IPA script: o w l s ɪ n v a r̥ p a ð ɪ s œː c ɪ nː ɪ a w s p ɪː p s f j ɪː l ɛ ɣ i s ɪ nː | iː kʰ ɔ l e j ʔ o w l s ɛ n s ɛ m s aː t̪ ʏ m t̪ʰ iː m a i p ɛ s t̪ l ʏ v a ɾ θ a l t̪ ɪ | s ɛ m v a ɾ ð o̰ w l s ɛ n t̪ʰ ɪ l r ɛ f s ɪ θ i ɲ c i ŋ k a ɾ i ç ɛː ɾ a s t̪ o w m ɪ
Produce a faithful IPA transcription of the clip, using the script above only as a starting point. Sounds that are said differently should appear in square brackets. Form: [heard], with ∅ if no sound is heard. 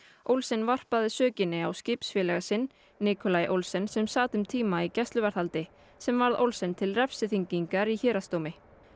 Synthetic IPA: o w l s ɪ n v a r̥ p a ð ɪ s œː c ɪ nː ɪ a w s [c] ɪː p s f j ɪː l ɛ ɣ [a] s ɪ nː | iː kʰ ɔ l [a] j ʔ o w l s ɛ n s ɛ m s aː t̪ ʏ m t̪ʰ iː m a i [c] ɛ s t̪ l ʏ v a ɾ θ a l t̪ ɪ | s ɛ m v a ɾ ð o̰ w l s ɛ n t̪ʰ ɪ l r ɛ f s ɪ θ i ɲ c i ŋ k a ɾ i ç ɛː ɾ a s t̪ o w m ɪ